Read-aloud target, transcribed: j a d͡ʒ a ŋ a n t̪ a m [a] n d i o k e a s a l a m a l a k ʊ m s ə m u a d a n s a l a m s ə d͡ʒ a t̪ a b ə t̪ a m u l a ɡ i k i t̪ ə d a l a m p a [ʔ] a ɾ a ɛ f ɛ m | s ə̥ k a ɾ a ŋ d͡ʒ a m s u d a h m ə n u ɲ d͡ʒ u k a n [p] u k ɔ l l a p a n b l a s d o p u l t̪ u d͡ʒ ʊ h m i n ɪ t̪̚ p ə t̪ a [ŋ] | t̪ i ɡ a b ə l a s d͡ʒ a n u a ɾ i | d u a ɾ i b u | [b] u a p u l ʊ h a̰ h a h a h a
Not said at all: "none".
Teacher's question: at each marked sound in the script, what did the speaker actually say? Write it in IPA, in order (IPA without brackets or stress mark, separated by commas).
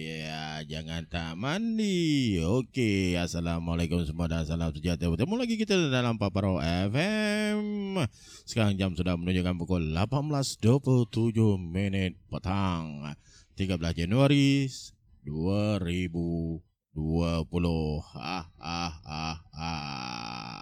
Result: a, p, p, ŋ, d